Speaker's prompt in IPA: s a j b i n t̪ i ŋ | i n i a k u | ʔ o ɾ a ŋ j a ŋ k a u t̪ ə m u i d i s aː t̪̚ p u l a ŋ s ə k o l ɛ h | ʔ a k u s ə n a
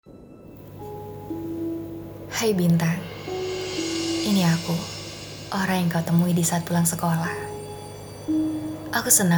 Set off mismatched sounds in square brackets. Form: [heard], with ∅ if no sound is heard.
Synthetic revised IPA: [h] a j b i n t̪ [a] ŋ | i n i a k u | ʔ o ɾ a ŋ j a ŋ k a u t̪ ə m u i d i s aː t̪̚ p u l a ŋ s ə k o l [a] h | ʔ a k u s ə n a